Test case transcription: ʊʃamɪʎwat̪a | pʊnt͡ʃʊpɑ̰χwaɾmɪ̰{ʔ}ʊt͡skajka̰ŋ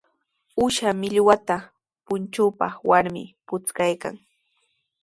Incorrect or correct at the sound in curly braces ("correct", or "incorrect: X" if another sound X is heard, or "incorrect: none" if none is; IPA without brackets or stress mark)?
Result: incorrect: p